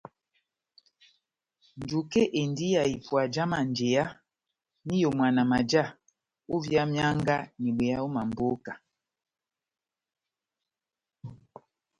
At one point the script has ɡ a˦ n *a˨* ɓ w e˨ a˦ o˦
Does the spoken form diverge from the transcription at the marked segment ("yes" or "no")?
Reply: yes